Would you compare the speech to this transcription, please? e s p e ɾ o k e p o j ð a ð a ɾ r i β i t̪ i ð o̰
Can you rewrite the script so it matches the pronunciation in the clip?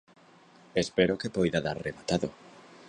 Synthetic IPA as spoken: e s p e ɾ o k e p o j ð a ð a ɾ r e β a t̪ a ð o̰